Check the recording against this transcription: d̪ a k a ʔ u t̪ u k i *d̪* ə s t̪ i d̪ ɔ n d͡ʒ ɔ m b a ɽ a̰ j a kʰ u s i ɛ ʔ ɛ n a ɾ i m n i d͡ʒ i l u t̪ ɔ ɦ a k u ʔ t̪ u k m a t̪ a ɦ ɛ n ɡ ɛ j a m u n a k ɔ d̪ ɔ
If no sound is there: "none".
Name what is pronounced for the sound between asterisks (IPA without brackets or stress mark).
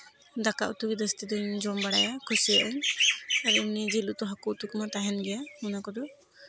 d̪